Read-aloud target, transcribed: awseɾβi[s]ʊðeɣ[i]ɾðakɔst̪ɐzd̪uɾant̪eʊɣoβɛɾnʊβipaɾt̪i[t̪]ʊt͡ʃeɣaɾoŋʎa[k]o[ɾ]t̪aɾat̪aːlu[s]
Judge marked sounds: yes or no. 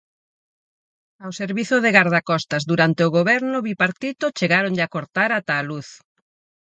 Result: no, no, yes, yes, yes, no

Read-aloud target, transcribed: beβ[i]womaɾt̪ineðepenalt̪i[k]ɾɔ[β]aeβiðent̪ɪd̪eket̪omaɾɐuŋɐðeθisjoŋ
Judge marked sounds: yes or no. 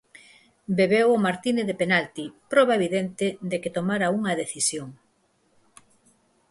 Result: no, no, yes

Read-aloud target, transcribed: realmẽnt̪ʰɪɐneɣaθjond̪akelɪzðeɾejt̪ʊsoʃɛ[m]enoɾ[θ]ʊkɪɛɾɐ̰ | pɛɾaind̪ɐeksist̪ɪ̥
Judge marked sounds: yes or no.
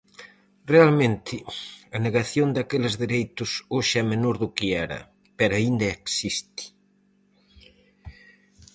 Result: yes, no

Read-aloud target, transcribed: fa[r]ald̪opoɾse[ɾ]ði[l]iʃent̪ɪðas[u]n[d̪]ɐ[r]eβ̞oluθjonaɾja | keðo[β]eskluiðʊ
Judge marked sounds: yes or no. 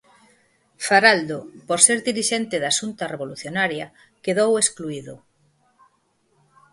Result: no, yes, no, yes, no, yes, no

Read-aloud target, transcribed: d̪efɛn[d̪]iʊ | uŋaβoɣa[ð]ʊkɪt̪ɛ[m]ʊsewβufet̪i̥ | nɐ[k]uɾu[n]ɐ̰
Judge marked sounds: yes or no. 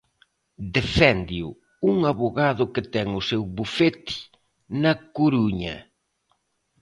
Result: yes, yes, no, yes, no

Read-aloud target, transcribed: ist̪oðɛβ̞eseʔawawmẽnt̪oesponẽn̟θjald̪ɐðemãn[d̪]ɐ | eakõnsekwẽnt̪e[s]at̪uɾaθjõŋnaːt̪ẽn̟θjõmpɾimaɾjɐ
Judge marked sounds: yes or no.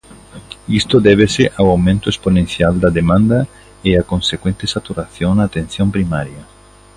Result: yes, yes

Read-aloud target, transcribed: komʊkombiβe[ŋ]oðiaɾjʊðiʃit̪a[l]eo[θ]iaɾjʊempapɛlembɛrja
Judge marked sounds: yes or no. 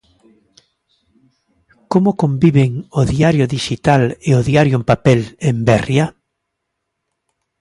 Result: yes, yes, no

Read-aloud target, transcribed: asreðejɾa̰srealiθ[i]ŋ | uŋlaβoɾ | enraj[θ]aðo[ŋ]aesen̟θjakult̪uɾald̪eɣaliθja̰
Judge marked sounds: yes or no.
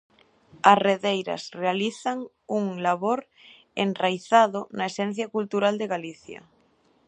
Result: no, yes, no

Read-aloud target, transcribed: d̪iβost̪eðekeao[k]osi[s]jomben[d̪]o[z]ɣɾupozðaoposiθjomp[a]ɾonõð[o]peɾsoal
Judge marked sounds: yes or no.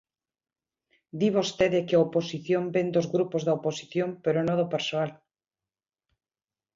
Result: no, no, yes, yes, no, yes

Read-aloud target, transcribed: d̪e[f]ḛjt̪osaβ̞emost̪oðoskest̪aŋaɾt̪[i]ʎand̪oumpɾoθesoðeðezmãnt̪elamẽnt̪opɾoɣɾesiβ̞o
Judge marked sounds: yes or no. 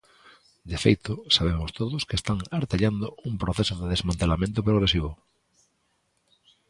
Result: yes, no

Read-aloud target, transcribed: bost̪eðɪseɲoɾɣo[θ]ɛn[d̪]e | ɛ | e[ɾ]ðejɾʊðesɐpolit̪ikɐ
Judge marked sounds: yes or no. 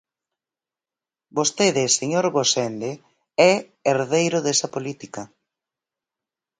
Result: no, yes, yes

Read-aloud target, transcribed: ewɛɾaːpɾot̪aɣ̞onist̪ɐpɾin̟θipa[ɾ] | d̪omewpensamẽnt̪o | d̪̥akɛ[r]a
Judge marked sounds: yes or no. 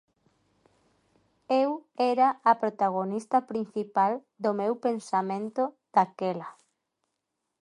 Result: no, no

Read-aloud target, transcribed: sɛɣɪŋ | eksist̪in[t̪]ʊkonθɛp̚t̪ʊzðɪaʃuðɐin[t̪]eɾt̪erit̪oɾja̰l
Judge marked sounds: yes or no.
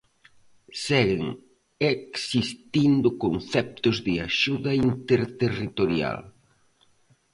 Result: no, yes

